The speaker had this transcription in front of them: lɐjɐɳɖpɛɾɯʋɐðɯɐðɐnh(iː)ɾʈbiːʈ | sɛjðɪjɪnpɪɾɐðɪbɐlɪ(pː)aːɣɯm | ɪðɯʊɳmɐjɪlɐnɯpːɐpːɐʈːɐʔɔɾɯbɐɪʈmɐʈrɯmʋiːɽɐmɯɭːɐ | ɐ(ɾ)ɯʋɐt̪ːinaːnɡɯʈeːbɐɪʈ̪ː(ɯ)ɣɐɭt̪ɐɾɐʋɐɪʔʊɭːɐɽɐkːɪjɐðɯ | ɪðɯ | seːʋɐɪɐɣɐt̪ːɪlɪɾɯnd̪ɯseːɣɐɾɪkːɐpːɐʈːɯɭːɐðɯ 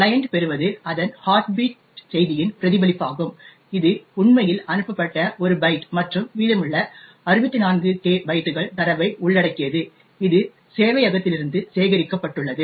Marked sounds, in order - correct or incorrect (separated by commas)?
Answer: incorrect, correct, correct, correct